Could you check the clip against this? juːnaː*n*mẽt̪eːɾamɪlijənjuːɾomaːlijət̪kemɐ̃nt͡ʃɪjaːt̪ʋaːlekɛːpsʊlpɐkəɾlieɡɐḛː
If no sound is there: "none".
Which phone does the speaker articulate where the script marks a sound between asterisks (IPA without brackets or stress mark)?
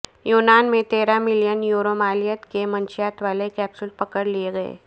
n